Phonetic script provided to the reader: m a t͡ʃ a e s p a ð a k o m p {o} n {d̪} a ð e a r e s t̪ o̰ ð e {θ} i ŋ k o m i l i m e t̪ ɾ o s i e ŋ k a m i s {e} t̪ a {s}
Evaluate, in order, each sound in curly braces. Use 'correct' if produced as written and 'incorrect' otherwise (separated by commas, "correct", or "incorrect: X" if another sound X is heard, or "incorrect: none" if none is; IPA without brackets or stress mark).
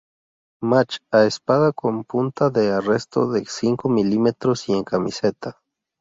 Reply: incorrect: u, incorrect: t̪, incorrect: s, correct, incorrect: none